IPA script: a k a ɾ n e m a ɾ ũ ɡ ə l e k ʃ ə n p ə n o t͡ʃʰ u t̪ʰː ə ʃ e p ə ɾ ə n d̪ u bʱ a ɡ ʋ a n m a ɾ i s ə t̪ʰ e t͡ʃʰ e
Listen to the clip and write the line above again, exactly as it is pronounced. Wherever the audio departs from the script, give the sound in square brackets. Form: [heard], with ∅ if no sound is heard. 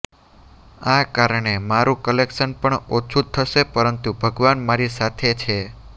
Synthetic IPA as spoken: a k a ɾ [ɳ] e m a ɾ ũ [k] ə l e k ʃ ə n p ə [ɳ] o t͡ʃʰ u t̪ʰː ə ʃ e p ə ɾ ə n [t̪] u bʱ [ə] ɡ ʋ a n m a ɾ i s [a] t̪ʰ e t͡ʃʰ e